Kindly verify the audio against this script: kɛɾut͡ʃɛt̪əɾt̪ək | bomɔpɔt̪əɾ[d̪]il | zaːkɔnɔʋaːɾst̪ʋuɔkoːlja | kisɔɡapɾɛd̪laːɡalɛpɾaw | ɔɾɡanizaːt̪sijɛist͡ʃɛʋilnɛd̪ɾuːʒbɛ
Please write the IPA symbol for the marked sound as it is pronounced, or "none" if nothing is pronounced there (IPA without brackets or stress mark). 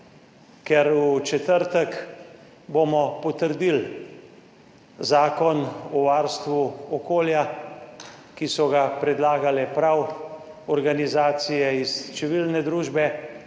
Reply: d̪